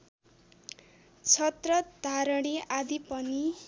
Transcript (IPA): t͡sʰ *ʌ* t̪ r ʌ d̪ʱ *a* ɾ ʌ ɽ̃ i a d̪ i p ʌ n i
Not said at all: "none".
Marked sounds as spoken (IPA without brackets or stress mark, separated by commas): ʌ, a